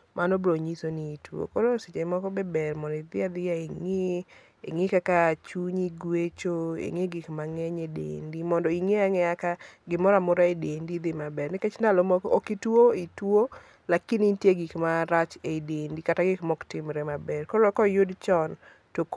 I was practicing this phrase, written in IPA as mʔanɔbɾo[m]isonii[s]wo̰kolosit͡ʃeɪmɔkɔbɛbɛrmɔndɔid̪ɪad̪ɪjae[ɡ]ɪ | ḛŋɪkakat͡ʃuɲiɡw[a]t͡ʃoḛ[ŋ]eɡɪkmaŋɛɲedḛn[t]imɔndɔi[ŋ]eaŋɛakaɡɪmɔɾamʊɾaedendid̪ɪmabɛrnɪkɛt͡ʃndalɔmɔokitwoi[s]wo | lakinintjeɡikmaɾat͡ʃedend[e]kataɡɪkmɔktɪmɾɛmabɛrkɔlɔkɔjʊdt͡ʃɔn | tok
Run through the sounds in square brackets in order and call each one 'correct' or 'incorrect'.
incorrect: ɲ, incorrect: t, incorrect: ŋ, incorrect: e, correct, incorrect: d, correct, incorrect: t, incorrect: i

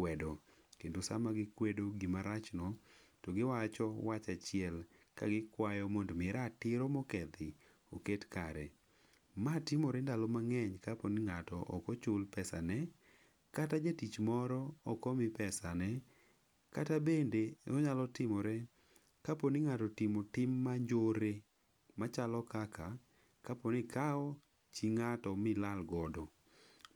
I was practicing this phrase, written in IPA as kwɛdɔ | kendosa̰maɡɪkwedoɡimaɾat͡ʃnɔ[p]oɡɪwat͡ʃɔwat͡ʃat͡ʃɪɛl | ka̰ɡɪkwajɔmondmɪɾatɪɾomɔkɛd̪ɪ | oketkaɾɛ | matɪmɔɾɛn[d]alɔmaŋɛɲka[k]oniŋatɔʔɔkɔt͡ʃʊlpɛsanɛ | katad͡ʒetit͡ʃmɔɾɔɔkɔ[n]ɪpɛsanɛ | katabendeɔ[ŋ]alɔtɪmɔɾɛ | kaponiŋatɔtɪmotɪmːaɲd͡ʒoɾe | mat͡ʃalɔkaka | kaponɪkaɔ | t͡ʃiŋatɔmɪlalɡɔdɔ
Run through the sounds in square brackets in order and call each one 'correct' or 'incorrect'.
incorrect: t, correct, incorrect: p, incorrect: m, incorrect: ɲ

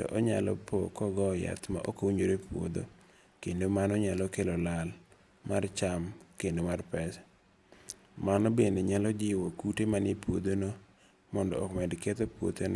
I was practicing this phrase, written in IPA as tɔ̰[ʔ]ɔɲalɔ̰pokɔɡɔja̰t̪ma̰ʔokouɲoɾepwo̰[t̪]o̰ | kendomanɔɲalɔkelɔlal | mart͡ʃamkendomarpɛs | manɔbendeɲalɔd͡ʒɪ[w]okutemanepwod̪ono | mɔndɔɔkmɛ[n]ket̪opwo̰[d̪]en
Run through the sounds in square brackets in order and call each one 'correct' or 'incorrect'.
correct, incorrect: d̪, correct, incorrect: d, incorrect: t̪

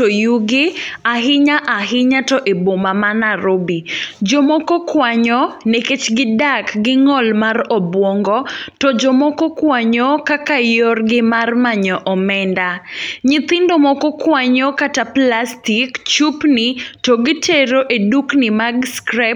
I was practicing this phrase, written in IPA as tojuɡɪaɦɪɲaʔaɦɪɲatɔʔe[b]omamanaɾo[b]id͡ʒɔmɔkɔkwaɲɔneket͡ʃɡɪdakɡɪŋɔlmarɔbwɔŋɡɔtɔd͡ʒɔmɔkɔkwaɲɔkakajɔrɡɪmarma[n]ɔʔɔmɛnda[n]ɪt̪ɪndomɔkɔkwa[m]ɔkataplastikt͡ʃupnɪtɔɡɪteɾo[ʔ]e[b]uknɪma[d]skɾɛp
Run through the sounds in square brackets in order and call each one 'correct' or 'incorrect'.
correct, correct, incorrect: ɲ, incorrect: ɲ, incorrect: ɲ, correct, incorrect: d, incorrect: ɡ

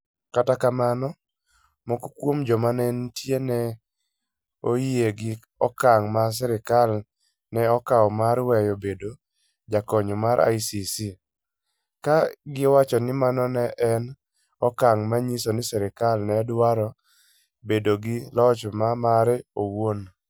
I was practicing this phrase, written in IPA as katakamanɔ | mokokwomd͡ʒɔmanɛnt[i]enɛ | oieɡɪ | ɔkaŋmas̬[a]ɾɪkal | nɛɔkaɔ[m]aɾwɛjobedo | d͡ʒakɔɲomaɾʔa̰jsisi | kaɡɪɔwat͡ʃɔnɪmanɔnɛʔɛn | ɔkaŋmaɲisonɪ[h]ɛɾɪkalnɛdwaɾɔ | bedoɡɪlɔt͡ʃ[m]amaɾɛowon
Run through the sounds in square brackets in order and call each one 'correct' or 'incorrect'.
incorrect: j, incorrect: ɛ, correct, incorrect: s, correct

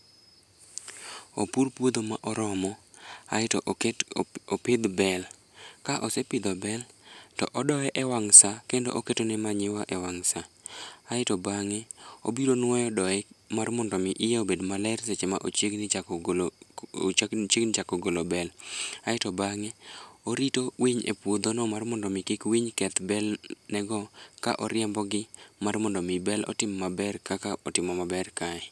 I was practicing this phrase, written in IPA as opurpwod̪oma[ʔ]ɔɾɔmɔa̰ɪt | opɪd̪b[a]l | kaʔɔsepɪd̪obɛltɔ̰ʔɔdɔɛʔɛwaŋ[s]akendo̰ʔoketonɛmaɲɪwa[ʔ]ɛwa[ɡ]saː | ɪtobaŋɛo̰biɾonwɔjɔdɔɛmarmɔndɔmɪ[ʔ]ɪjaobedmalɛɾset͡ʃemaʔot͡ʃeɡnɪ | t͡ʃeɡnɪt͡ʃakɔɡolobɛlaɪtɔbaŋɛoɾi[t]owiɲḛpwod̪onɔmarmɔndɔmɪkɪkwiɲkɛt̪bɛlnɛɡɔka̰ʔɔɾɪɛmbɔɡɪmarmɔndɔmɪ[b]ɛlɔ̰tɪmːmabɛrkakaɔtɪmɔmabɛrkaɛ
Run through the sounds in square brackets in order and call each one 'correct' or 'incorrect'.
correct, incorrect: ɛ, correct, correct, incorrect: ŋ, correct, correct, correct

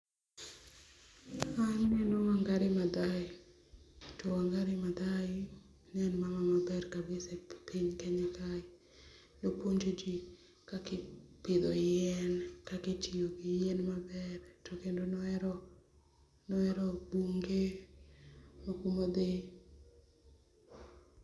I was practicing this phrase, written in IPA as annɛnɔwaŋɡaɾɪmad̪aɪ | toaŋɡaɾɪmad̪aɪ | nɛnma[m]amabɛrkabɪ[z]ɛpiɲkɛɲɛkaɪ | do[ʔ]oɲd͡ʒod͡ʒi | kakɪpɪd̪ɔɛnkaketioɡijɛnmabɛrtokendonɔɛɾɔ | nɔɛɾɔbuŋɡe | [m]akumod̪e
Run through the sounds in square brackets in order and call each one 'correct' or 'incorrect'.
correct, incorrect: s, incorrect: p, correct

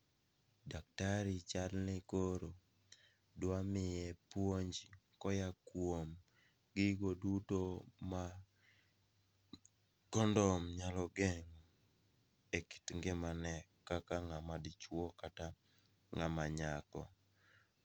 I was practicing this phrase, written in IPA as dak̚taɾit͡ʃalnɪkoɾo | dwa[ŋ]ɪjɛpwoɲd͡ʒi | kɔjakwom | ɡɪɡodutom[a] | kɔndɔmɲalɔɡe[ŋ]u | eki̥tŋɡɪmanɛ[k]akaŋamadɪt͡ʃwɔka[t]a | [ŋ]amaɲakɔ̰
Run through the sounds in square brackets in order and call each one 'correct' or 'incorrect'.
incorrect: m, correct, correct, correct, correct, correct

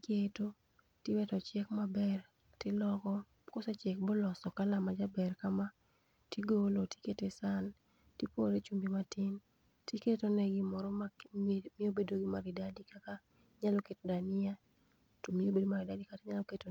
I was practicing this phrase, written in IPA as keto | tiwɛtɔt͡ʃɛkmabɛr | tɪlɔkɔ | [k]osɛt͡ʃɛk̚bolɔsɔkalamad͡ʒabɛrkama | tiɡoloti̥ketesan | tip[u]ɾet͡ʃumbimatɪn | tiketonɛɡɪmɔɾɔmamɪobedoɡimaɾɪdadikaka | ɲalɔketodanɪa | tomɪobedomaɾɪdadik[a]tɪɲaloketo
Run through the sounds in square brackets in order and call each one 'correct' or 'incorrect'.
correct, incorrect: o, correct

